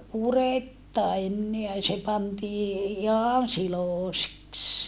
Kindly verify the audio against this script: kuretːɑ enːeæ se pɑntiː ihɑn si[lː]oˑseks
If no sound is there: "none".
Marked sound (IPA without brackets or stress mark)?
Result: l